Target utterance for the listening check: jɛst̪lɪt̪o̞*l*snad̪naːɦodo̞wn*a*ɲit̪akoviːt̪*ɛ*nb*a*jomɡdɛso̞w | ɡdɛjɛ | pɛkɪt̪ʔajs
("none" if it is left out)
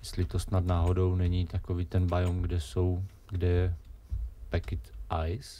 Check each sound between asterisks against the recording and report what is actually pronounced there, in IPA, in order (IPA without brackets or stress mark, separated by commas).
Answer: none, ɛ, ɛ, a